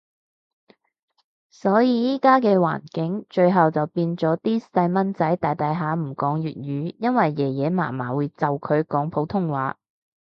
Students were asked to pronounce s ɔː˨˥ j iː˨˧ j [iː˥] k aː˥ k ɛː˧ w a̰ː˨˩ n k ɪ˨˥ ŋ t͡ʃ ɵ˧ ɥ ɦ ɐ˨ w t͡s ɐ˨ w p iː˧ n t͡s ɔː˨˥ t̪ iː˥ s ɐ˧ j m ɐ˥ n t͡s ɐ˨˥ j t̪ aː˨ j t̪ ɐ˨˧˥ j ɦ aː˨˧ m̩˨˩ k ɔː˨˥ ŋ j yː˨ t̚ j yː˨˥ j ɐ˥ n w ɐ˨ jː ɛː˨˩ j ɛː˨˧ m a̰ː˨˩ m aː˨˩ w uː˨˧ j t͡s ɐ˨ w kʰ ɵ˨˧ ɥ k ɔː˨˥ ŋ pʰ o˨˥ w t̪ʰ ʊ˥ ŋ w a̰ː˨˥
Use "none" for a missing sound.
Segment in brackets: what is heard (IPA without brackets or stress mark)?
iː˥